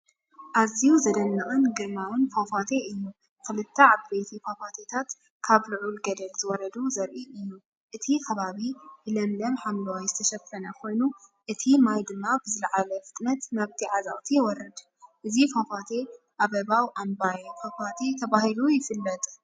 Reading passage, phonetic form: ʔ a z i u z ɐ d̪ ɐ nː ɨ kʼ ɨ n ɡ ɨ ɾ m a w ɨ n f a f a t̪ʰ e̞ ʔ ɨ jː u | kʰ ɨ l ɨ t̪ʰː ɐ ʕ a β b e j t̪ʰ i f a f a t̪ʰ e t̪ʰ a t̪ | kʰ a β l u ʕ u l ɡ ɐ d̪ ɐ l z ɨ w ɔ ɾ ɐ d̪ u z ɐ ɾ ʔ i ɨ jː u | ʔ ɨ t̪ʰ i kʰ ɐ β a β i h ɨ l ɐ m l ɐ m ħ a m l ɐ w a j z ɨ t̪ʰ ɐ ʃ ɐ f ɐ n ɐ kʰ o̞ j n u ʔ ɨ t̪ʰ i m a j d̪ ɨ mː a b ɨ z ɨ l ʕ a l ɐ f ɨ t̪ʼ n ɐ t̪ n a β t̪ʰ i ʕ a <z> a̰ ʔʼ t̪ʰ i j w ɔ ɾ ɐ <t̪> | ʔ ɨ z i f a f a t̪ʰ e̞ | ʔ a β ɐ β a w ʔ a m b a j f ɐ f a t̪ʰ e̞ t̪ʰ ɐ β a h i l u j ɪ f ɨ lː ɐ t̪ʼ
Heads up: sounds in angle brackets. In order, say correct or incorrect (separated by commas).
correct, incorrect